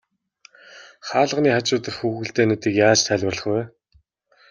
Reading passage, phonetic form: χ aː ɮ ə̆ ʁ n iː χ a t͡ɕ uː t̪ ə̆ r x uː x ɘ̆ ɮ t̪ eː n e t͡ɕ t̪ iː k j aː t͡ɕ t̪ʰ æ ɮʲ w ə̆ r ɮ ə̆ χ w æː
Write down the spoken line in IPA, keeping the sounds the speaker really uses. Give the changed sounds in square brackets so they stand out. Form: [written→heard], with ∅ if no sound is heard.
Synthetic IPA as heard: χ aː ɮ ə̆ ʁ n iː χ a t͡ɕ [uː→ʊː] t̪ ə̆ r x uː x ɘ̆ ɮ t̪ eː n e [t͡ɕ→∅] t̪ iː k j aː t͡ɕ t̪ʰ æ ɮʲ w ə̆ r ɮ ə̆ χ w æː